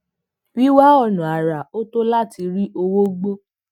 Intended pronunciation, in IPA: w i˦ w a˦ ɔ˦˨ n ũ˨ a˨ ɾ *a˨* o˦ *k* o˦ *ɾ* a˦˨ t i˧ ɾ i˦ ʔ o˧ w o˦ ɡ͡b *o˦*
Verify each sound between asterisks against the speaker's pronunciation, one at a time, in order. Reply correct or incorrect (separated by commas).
correct, incorrect, incorrect, correct